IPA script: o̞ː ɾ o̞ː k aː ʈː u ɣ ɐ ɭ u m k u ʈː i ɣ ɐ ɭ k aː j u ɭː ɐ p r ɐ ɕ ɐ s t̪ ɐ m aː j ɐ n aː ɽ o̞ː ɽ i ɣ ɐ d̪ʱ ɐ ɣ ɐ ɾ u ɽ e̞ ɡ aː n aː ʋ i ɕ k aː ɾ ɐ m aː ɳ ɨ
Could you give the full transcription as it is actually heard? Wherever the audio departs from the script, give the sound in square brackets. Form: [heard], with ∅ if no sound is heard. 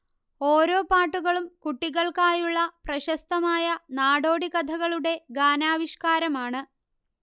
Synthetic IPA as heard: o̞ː ɾ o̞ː [p] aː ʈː u ɣ ɐ ɭ u m k u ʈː i ɣ ɐ ɭ k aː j u ɭː ɐ p r ɐ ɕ ɐ s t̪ ɐ m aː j ɐ n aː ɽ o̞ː ɽ i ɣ ɐ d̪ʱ ɐ ɣ ɐ [ɭ] u ɽ e̞ ɡ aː n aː ʋ i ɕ k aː ɾ ɐ m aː ɳ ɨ